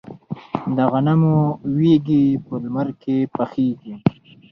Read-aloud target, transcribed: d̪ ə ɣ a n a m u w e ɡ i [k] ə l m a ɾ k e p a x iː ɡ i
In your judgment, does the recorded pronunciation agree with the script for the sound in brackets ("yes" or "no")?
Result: no